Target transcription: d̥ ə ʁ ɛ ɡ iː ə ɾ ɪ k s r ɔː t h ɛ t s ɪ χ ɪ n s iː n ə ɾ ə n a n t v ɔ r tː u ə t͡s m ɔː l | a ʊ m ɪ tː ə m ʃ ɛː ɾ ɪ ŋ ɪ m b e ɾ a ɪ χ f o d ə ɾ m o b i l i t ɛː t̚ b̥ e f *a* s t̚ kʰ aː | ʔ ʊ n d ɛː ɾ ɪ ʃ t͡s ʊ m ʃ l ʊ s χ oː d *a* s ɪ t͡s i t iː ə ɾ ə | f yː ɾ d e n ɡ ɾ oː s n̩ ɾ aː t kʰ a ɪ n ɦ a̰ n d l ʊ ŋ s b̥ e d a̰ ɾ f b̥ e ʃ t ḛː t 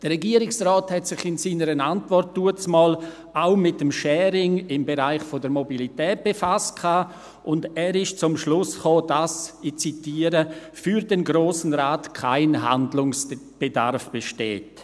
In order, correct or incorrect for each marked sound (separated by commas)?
correct, correct